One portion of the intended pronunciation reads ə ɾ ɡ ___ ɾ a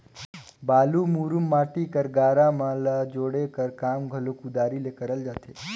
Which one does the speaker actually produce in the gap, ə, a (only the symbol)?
a